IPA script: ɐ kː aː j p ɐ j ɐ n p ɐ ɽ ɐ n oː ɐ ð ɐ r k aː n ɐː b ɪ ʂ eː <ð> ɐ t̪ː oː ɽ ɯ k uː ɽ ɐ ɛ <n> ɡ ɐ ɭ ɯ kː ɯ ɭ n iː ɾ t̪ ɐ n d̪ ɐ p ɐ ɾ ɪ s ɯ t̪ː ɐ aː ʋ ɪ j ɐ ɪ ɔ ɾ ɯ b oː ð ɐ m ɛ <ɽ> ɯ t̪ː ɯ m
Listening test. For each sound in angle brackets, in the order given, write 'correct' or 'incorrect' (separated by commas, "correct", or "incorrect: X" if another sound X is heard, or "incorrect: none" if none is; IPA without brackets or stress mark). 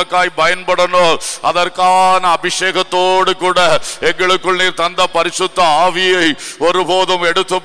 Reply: incorrect: ɣ, incorrect: ŋ, correct